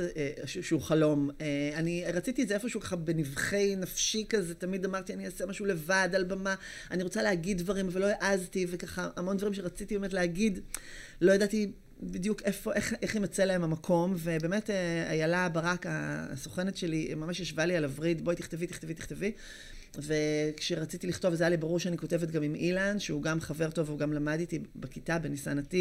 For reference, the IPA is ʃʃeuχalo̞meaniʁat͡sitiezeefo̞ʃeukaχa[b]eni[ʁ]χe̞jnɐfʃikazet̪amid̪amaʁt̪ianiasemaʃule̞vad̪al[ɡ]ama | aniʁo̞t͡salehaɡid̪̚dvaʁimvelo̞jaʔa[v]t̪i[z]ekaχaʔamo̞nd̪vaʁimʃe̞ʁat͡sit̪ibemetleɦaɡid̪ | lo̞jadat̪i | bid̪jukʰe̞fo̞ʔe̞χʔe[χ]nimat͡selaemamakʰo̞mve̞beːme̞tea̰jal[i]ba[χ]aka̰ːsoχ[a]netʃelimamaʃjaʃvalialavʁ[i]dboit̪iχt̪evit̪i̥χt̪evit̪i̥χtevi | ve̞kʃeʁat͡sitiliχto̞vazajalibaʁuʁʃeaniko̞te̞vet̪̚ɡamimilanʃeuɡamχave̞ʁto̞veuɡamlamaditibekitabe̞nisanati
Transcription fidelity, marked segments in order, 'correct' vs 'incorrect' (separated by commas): correct, incorrect, incorrect, incorrect, incorrect, correct, incorrect, incorrect, incorrect, correct